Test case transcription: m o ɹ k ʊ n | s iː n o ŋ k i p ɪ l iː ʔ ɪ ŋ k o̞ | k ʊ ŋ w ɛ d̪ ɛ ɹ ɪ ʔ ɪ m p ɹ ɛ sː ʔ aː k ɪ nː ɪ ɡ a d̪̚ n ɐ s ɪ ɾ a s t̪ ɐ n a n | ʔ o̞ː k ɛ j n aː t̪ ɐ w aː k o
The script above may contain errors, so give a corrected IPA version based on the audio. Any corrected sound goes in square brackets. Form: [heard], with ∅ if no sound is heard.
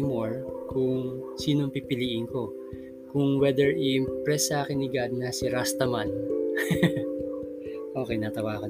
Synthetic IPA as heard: m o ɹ k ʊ [ŋ] | s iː n o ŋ [p] i p ɪ l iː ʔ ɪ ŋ k o̞ | k ʊ ŋ w ɛ d̪ ɛ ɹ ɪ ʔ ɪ m p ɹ ɛ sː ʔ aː k ɪ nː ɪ ɡ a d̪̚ n ɐ s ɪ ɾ a s t̪ ɐ [m] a n | ʔ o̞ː k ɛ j n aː t̪ ɐ w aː k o